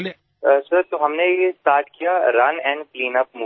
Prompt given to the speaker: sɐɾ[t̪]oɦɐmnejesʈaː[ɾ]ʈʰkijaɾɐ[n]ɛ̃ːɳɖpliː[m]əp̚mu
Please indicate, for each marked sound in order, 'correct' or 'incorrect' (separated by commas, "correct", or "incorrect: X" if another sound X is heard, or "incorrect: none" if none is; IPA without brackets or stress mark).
correct, correct, correct, incorrect: n